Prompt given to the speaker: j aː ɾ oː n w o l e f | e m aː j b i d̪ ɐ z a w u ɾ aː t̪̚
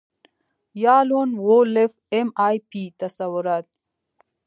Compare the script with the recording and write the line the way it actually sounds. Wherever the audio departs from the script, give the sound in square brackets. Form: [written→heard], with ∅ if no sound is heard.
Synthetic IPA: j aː [ɾ→l] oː n w o l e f | e m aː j [b→p] i [d̪→t̪] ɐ [z→s] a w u ɾ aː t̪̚